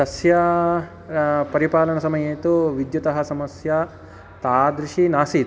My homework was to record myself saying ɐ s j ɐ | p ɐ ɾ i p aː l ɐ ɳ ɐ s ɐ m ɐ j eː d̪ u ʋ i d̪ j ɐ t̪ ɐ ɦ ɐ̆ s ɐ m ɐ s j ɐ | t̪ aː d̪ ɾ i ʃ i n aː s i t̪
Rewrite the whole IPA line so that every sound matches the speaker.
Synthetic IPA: ɐ s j ɐ | p ɐ ɾ i p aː l ɐ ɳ ɐ s ɐ m ɐ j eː t̪ u ʋ i d̪ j ɐ t̪ ɐ ɦ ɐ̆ s ɐ m ɐ s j ɐ | t̪ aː d̪ ɾ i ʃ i n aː s i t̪